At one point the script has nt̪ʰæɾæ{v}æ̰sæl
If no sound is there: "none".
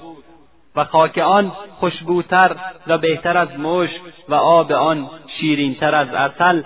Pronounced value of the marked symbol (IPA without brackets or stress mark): z